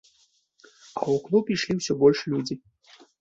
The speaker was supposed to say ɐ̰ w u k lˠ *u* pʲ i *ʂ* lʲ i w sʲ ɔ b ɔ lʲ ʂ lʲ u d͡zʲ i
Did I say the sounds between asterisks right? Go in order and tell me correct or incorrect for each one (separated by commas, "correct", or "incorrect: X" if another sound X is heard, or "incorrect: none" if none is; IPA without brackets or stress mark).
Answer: correct, correct